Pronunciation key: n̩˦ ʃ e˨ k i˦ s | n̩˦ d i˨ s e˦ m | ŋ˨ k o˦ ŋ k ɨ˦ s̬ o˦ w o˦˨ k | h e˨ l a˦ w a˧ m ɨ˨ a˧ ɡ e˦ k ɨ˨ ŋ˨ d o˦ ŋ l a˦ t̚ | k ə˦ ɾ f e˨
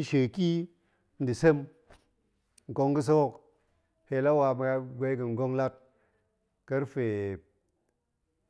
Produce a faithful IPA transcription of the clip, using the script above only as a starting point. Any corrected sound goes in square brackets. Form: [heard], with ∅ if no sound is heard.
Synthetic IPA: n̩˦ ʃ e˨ k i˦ [∅] | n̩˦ d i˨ s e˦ m | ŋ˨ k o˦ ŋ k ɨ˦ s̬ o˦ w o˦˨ k | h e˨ l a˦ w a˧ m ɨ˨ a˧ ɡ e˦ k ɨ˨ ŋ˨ [ɡ] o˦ ŋ l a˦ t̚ | k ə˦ ɾ f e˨